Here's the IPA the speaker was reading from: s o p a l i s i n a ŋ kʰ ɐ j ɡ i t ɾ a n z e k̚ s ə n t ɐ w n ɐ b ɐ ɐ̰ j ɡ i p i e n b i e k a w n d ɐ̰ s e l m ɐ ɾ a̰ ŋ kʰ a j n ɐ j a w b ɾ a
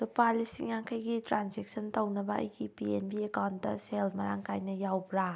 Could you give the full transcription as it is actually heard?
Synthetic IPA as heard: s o p a l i s i ŋ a ŋ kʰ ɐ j ɡ i t ɾ a n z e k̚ s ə n t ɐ w n ɐ b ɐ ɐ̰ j ɡ i p i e n b i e k a w n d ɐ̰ s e l m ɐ ɾ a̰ ŋ k a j n ɐ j a w b ɾ a